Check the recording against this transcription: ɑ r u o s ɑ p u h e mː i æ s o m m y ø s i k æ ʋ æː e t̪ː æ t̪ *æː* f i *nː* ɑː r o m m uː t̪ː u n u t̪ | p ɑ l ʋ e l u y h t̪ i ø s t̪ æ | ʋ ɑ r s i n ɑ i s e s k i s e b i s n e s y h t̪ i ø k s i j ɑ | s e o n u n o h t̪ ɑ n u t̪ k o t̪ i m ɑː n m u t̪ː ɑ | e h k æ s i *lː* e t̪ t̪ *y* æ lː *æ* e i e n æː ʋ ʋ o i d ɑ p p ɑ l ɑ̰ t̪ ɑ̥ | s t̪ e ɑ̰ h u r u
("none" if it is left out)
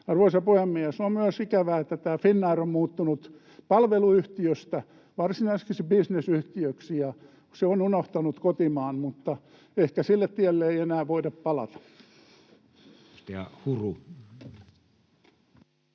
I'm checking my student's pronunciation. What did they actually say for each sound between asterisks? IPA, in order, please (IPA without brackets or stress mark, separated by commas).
æː, nː, lː, i, e